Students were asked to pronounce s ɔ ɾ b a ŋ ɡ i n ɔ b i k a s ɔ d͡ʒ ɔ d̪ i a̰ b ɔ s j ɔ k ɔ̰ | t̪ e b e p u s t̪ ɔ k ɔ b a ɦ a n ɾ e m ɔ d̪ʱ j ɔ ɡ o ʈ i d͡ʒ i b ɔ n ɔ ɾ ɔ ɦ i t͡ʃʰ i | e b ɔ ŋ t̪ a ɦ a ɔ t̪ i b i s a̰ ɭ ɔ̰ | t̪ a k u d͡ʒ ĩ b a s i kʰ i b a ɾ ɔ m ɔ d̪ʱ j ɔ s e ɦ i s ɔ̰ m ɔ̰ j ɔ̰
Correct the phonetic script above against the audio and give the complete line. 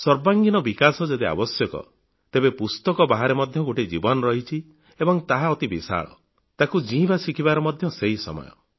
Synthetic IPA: s ɔ ɾ b a ŋ ɡ i n ɔ b i k a s ɔ d͡ʒ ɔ d̪ i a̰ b ɔ s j ɔ k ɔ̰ | t̪ e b e p u s t̪ ɔ k ɔ b a ɦ a ɾ e m ɔ d̪ʱ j ɔ ɡ o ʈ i d͡ʒ i b ɔ n ɔ ɾ ɔ ɦ i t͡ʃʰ i | e b ɔ ŋ t̪ a ɦ a ɔ t̪ i b i s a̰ ɭ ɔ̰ | t̪ a k u d͡ʒ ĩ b a s i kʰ i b a ɾ ɔ m ɔ d̪ʱ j ɔ s e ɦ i s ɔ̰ m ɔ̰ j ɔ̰